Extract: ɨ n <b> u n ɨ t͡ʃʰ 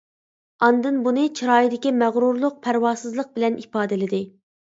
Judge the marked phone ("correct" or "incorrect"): correct